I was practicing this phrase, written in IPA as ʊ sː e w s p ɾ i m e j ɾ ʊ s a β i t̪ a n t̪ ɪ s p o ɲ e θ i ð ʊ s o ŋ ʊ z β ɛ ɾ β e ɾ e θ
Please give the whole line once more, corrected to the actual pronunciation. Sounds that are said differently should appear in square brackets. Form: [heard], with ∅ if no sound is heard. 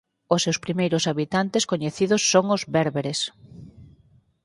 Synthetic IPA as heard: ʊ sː e w s p ɾ i m e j ɾ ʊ s a β i t̪ a n t̪ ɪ s [k] o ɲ e θ i ð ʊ [sː] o ŋ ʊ z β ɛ ɾ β e ɾ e [s]